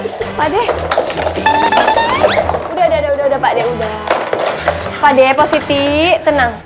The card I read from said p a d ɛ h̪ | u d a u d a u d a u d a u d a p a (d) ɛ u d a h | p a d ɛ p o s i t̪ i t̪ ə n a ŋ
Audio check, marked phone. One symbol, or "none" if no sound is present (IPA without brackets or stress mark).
d